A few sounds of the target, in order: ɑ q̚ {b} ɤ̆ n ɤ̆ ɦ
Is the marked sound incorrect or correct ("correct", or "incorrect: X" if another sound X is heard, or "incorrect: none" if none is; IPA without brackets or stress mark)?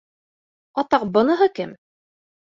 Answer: correct